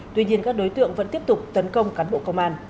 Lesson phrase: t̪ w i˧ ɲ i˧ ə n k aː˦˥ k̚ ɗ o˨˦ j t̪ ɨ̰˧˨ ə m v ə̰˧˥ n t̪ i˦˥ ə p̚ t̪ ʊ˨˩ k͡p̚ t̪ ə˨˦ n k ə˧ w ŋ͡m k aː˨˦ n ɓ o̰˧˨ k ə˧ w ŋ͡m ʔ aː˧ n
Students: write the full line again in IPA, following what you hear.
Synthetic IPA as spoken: t̪ w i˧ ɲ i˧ ə n k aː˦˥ k̚ ɗ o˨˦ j t̪ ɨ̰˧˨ ə ŋ v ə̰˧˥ n t̪ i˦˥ ə p̚ t̪ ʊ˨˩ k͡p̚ t̪ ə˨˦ n k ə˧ w ŋ͡m k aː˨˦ n ɓ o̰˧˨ k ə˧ w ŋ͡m ʔ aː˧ n